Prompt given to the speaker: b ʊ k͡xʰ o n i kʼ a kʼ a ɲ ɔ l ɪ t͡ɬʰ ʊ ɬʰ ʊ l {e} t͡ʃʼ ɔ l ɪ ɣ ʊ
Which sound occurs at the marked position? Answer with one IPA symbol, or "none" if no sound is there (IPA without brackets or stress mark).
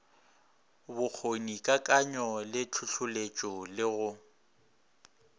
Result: e